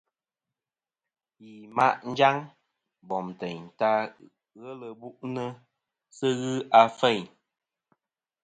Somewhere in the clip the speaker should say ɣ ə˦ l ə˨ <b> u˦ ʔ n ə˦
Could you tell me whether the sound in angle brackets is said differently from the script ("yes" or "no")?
no